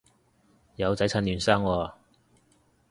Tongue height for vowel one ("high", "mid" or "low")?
low